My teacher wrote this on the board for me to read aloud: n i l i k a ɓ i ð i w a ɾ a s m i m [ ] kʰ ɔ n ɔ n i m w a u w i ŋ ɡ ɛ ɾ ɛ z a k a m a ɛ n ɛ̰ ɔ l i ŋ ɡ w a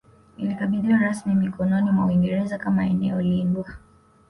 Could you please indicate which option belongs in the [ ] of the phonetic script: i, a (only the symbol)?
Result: i